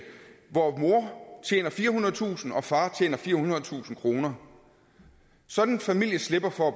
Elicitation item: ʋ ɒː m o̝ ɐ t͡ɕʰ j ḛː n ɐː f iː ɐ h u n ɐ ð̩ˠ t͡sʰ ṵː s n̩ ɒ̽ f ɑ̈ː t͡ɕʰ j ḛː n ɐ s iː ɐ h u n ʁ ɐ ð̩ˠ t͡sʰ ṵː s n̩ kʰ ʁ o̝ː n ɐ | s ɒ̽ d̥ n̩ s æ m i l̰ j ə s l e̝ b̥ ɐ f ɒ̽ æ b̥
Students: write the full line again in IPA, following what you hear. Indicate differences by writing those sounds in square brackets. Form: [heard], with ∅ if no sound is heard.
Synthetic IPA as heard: ʋ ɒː m o̝ ɐ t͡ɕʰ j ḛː n [ɐ] f iː ɐ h u n ɐ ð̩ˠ t͡sʰ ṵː s n̩ ɒ̽ f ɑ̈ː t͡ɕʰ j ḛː n ɐ [f] iː ɐ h u n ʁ ɐ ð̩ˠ t͡sʰ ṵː s n̩ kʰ ʁ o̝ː n ɐ | s ɒ̽ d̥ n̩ [f] æ m i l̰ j ə s l e̝ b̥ ɐ f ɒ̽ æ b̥